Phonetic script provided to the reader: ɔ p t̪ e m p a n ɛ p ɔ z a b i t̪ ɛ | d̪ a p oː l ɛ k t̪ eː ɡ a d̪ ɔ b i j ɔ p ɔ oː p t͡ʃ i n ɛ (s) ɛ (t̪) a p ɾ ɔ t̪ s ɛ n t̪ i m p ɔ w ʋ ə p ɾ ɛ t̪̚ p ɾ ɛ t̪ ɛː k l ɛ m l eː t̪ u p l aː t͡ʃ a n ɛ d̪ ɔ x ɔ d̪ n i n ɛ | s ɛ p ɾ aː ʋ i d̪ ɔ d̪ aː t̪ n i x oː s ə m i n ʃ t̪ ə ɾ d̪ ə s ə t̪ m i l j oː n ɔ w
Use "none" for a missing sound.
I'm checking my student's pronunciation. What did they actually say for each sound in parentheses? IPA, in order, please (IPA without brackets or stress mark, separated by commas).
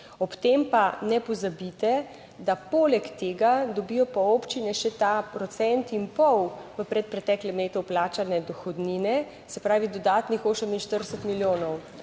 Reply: ʃ, t̪